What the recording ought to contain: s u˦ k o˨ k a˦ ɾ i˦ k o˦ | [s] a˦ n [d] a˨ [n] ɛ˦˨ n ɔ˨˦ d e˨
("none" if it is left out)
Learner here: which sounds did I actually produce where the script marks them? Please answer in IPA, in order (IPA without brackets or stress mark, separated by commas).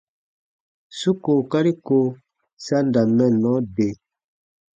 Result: s, d, m